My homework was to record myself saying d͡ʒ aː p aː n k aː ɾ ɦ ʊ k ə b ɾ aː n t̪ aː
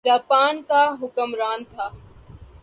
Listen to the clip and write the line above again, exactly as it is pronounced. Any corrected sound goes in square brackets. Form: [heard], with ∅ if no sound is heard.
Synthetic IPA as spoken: d͡ʒ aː p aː n k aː [∅] ɦ ʊ k ə [m] ɾ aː n [t̪ʰ] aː